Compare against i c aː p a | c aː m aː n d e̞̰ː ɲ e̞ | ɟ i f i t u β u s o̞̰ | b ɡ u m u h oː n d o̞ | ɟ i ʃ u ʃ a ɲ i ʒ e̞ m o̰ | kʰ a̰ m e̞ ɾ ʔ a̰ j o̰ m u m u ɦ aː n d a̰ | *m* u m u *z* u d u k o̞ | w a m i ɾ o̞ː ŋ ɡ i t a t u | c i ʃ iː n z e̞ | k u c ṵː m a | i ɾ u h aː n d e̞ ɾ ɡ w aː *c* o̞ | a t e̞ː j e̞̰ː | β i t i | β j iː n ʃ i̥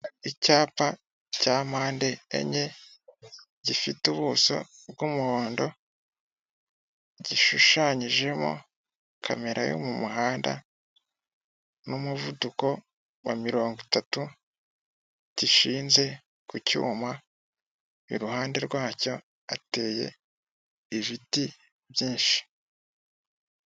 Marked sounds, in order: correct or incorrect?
incorrect, incorrect, correct

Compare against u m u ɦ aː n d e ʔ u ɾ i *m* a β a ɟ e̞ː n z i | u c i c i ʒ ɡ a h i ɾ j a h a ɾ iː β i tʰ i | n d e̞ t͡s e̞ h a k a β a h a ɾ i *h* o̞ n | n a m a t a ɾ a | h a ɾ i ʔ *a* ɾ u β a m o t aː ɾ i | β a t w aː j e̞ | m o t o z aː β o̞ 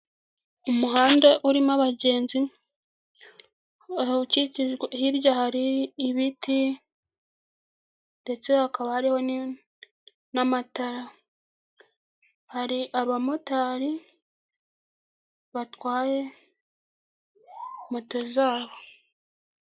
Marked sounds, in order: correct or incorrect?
correct, correct, correct

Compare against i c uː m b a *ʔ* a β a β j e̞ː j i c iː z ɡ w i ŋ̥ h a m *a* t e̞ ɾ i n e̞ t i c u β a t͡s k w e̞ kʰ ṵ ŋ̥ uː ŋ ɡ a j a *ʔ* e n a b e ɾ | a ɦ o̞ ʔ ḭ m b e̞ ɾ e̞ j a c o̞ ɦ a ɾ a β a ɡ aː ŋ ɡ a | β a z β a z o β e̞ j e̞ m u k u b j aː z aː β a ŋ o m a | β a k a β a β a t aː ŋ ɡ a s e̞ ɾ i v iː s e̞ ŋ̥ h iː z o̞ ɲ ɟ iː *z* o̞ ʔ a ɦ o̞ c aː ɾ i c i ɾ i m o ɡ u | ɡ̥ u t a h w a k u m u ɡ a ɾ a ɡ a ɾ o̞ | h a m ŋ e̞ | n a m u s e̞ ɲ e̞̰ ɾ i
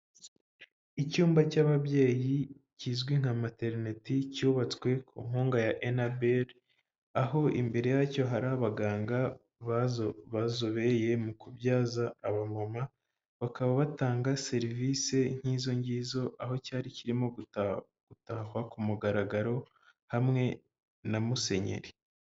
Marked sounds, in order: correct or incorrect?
incorrect, correct, correct, correct

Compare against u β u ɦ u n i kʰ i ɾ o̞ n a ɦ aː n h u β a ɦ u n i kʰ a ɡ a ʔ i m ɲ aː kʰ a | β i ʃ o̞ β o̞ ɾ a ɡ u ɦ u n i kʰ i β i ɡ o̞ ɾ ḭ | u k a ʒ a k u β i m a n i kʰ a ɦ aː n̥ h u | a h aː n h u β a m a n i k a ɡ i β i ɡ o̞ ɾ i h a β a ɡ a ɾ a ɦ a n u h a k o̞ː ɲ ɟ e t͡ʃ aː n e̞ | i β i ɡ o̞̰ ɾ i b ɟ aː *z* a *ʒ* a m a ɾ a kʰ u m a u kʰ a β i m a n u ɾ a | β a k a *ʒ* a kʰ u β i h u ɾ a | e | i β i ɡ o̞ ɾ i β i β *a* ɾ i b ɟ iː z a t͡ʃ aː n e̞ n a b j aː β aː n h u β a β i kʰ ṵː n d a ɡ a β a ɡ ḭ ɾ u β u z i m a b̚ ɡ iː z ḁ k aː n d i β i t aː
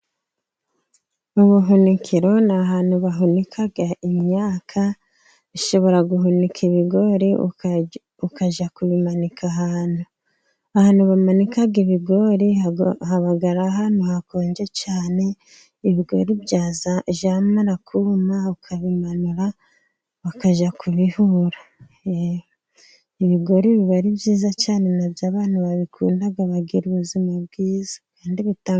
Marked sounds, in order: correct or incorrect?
correct, correct, correct, correct

